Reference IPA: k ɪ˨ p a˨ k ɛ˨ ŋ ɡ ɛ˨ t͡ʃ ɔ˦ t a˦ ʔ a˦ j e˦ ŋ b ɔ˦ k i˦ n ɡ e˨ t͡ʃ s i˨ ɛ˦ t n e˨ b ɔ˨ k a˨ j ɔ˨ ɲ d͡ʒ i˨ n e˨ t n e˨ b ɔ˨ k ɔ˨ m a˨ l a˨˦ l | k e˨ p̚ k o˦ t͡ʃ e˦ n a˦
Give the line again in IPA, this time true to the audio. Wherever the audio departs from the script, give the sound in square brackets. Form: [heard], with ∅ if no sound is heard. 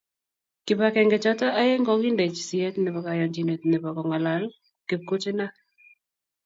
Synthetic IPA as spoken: k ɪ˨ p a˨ k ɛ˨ ŋ ɡ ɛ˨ t͡ʃ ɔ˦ t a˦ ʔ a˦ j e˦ ŋ [ɡ] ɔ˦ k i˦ n [d] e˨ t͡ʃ s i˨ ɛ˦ t n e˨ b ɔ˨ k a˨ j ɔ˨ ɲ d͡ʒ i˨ n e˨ t n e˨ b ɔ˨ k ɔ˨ [ŋ] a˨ l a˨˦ l | k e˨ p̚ k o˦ t͡ʃ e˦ n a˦